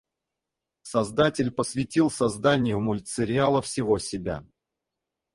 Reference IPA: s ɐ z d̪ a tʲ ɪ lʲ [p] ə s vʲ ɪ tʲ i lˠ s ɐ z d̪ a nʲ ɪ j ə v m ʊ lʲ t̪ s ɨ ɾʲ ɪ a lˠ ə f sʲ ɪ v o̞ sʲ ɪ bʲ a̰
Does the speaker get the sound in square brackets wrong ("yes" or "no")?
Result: no